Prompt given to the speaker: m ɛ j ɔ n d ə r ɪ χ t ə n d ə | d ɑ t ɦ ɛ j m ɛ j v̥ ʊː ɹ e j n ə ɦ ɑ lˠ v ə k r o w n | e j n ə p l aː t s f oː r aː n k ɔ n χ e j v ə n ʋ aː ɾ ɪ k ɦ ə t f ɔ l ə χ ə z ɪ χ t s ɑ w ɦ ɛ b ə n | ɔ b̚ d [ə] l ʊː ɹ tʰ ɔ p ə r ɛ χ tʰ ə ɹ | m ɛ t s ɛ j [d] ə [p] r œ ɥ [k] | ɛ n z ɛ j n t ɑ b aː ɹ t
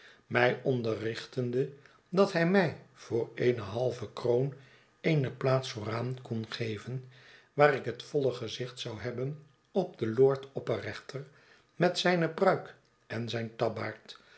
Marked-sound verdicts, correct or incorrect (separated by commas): correct, incorrect, correct, correct